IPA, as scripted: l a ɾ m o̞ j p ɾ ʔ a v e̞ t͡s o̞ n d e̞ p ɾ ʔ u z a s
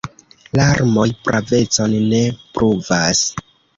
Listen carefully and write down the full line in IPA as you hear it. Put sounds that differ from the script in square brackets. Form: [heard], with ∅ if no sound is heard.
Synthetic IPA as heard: l a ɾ m o̞ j p ɾ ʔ a v e̞ t͡s o̞ n [n] e̞ p ɾ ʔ u [v] a s